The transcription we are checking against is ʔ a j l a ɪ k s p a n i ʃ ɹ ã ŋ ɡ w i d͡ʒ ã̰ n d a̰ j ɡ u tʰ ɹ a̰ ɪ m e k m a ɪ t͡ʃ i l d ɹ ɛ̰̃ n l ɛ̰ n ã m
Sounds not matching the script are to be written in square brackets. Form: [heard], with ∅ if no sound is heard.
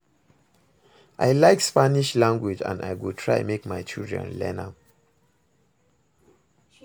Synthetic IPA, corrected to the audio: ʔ a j l a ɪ k s p a n i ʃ [l] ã ŋ ɡ w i d͡ʒ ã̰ n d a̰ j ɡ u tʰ ɹ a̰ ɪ m e k m a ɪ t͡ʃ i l d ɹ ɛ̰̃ n l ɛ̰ n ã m